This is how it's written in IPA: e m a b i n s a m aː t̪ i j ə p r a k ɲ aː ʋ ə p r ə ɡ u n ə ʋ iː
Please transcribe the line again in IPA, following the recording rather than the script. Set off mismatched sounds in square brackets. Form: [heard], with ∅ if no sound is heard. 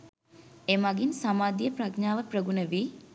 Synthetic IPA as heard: e m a [ɡ] i n s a m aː [d̪] i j ə p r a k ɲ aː ʋ ə p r ə ɡ u n ə ʋ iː